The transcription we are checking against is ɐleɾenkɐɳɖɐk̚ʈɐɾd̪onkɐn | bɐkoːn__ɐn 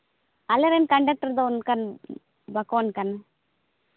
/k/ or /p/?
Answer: k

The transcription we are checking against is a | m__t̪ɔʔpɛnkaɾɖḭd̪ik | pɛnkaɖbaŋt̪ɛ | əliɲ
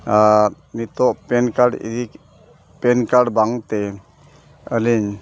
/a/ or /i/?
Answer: i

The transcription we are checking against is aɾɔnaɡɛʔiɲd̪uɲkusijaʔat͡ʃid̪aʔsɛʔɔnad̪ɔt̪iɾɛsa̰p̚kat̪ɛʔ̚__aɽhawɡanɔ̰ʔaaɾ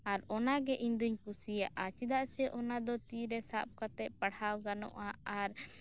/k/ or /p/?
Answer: p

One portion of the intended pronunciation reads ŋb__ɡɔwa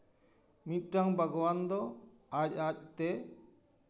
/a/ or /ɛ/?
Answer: a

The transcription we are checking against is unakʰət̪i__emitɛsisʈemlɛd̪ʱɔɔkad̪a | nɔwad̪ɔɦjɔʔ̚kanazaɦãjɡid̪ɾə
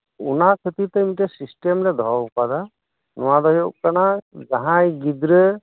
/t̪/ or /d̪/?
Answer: t̪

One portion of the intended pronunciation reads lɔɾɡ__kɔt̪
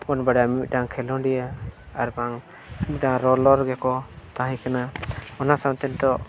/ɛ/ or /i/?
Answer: ɛ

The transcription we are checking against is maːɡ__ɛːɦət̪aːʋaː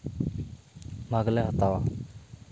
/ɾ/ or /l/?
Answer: l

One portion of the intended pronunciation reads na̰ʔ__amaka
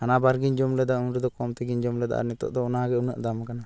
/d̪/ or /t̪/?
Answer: d̪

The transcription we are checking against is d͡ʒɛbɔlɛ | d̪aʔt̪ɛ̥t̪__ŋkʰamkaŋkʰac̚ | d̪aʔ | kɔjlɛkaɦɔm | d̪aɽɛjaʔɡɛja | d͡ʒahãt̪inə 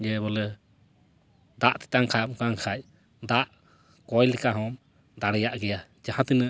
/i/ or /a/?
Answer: a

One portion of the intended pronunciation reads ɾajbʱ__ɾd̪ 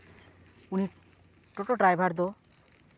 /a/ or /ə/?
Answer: a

